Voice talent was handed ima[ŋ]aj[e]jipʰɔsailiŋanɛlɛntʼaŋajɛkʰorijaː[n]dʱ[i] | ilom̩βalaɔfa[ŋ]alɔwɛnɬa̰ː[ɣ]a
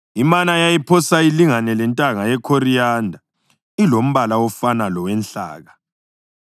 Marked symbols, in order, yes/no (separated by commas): no, no, yes, no, no, yes